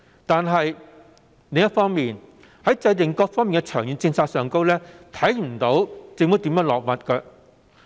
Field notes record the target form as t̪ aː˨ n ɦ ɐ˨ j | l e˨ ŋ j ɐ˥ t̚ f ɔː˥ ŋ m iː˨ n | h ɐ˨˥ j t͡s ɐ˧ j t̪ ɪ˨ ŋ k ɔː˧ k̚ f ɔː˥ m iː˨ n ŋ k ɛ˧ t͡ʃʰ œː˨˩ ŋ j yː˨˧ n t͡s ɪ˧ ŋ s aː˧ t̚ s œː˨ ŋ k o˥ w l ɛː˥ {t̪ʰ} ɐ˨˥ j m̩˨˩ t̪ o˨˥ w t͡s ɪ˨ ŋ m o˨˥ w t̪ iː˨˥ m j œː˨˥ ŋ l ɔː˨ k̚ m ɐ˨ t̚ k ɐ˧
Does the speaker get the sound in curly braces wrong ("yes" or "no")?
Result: no